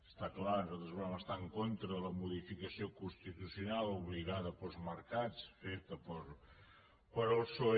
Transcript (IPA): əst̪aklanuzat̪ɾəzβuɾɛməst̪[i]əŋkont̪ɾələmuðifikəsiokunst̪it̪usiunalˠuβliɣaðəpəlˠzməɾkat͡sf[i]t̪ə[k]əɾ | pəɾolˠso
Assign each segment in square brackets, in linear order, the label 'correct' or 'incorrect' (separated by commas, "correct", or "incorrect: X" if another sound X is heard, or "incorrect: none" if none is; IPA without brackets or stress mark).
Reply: incorrect: a, incorrect: e, incorrect: p